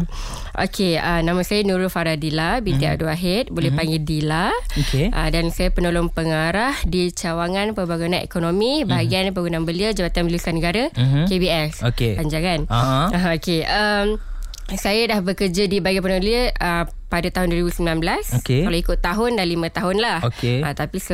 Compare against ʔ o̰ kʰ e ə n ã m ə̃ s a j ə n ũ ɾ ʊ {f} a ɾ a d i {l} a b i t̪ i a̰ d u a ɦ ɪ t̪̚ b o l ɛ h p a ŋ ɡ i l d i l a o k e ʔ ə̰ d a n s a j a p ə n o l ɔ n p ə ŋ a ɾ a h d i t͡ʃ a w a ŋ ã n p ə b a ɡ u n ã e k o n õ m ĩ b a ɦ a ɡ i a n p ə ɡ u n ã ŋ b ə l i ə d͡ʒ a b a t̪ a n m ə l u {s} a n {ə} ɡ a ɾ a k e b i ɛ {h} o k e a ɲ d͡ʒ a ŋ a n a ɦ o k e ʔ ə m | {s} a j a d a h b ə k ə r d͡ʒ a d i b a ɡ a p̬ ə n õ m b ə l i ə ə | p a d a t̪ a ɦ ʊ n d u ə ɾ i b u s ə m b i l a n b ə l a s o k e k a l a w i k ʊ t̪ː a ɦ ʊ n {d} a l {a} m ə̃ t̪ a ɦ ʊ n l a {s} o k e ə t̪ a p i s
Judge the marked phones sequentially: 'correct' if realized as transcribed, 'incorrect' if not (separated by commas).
correct, correct, correct, correct, incorrect, correct, correct, incorrect, incorrect